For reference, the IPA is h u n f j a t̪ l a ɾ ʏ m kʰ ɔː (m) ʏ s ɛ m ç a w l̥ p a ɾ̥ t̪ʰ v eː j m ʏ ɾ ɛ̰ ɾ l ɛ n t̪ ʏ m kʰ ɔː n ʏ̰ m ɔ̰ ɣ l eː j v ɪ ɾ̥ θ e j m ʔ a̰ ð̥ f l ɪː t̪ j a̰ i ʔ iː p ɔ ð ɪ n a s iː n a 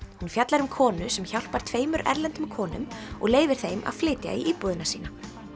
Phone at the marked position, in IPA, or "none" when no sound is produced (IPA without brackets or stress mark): n